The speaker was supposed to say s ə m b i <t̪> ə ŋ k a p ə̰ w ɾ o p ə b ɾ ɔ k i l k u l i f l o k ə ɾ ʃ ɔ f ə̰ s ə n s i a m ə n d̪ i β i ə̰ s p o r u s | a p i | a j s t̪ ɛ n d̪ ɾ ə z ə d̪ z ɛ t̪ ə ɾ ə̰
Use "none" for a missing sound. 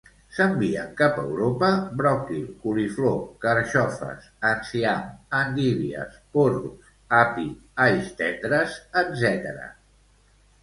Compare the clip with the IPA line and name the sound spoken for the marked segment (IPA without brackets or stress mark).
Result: none